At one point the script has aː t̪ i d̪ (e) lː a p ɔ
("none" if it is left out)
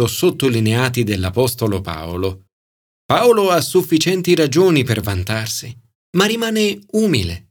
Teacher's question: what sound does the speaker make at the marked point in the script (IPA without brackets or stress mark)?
e